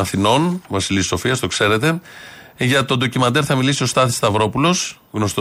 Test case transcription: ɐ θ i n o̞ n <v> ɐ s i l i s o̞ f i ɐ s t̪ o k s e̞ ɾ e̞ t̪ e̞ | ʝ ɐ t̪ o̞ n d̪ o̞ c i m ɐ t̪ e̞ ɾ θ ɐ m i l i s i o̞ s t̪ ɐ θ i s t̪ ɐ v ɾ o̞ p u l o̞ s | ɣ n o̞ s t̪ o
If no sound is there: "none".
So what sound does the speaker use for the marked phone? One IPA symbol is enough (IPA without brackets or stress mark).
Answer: v